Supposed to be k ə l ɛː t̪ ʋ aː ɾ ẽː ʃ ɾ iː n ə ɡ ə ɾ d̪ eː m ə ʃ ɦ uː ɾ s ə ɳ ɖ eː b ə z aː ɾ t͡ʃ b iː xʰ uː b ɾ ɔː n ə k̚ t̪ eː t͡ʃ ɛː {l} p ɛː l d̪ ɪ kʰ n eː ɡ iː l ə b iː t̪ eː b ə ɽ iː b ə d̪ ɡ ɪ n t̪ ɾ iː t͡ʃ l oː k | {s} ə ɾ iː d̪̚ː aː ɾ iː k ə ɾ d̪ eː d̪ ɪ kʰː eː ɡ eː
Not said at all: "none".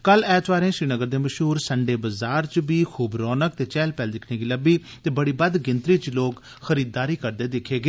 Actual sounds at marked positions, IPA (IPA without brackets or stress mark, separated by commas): l, x